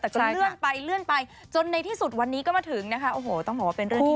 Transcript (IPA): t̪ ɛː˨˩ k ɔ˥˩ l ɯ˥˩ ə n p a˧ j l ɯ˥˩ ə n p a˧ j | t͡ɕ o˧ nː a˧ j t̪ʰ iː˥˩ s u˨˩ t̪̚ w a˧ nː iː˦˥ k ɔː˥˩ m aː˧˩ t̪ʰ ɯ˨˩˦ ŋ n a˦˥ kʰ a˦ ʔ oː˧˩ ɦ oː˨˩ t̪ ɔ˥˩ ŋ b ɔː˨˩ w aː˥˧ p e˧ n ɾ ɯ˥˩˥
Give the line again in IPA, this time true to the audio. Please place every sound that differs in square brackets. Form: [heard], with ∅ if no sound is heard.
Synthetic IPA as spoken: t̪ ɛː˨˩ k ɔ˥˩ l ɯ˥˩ ə n p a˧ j l ɯ˥˩ ə n p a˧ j | t͡ɕ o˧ nː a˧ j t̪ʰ iː˥˩ s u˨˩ t̪̚ w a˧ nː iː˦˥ k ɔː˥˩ m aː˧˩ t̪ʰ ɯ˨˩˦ ŋ n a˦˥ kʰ a˦ ʔ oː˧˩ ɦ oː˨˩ t̪ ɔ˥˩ ŋ b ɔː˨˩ w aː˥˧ p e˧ n ɾ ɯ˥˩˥